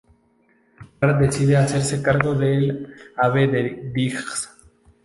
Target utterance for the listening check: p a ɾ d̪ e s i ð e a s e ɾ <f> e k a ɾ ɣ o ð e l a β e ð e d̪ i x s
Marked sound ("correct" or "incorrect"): incorrect